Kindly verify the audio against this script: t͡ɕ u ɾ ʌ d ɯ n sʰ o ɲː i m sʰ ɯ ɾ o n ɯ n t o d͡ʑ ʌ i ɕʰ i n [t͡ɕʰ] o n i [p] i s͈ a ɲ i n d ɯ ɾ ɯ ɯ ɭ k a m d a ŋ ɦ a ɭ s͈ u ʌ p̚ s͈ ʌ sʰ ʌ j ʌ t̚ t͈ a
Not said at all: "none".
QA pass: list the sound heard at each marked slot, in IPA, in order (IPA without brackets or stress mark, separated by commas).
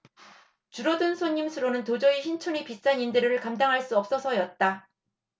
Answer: t͡ɕʰ, p